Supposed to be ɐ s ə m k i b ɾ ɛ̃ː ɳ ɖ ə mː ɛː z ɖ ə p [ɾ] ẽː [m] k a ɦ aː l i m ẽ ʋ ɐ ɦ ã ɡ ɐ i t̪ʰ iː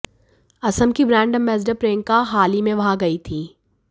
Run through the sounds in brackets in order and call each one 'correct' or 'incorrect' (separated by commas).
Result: correct, incorrect